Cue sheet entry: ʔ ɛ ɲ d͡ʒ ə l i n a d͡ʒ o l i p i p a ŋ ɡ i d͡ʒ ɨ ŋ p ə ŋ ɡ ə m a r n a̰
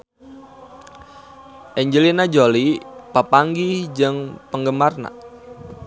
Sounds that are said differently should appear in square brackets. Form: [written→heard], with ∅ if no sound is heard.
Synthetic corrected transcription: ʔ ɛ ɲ d͡ʒ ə l i n a d͡ʒ o l i p [i→a] p a ŋ ɡ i d͡ʒ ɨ ŋ p ə ŋ ɡ ə m a r n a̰